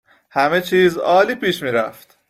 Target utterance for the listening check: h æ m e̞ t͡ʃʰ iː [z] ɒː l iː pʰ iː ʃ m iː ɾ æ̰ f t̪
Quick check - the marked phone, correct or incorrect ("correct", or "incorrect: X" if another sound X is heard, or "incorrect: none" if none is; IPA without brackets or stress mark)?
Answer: correct